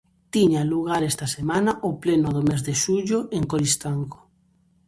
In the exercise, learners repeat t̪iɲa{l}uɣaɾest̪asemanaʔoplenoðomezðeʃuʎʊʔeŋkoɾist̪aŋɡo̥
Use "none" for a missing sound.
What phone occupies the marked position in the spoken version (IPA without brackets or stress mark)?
l